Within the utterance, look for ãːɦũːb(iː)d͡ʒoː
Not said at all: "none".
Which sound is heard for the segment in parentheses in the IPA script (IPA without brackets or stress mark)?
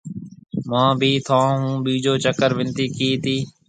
iː